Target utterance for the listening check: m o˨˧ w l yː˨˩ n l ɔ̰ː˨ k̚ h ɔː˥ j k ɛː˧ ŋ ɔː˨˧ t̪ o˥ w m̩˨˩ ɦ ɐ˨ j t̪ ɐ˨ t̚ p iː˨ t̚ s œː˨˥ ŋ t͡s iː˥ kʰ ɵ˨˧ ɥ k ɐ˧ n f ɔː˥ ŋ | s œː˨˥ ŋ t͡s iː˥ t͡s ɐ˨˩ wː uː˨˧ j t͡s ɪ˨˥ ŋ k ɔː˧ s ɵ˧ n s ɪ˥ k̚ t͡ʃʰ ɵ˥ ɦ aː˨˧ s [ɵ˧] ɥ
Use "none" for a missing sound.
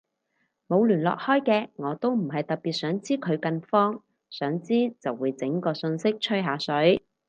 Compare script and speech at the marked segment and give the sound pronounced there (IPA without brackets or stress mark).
ɵ˨˥